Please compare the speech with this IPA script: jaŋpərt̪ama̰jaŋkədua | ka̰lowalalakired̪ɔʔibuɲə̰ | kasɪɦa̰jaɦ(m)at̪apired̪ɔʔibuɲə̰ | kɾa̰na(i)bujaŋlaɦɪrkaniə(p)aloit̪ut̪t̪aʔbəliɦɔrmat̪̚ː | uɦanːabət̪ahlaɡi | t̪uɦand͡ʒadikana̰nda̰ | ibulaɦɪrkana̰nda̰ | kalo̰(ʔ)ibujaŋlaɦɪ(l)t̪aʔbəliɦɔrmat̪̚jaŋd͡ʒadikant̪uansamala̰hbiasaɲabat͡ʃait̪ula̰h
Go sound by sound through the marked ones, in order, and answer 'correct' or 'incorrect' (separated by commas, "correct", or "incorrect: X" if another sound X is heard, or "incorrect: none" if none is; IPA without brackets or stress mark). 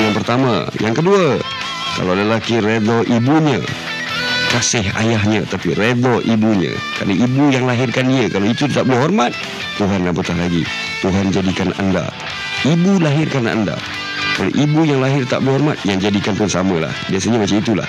incorrect: ɲ, correct, incorrect: k, correct, incorrect: r